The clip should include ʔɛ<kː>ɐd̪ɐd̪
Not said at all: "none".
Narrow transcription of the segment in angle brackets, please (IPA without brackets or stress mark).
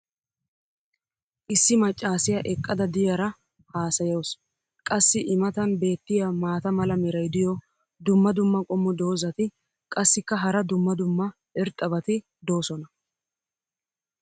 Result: kʼː